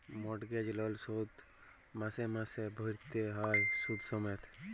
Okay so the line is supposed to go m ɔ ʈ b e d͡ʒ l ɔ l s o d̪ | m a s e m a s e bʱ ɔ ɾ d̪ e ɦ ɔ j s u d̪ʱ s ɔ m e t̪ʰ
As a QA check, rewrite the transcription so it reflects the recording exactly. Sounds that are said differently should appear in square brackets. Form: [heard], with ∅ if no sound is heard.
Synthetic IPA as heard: m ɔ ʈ [ɡ] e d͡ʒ l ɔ l s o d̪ | m a s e m a s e bʱ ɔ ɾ [t̪] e ɦ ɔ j s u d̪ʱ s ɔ m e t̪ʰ